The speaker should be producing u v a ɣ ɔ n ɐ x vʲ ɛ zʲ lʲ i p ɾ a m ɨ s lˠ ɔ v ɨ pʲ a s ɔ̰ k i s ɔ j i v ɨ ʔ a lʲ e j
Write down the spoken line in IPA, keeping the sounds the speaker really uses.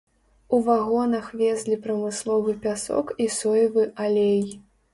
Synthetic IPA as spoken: u v a ɣ ɔ n ɐ x vʲ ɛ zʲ lʲ i p ɾ ɐ m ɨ s lˠ ɔ v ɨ pʲ a s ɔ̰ k i s ɔ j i v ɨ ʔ a lʲ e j